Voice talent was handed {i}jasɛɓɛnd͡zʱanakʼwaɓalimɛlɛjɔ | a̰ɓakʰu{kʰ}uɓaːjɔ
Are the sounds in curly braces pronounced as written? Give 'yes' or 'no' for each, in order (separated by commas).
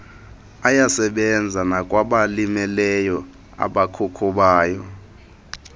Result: no, yes